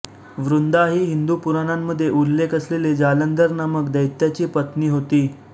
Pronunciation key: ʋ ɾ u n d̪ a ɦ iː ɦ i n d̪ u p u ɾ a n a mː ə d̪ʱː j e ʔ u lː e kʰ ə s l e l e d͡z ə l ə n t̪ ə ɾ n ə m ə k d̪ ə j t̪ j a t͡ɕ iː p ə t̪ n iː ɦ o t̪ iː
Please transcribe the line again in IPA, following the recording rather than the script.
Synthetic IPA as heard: ʋ ɾ u n d̪ a ɦ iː ɦ i n d̪ u p u ɾ a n a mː ə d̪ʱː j e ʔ u lː e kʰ ə s l e l e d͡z a l ə n d̪ ə ɾ n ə m ə k d̪ ə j t̪ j a t͡ɕ iː p ə t̪ n iː ɦ o t̪ iː